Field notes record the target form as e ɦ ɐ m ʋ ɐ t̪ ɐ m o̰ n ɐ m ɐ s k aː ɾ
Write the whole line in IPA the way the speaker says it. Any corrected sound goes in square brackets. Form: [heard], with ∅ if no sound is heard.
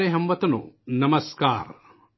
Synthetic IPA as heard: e ɦ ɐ m ʋ ɐ t̪ ɐ [n] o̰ n ɐ m ɐ s k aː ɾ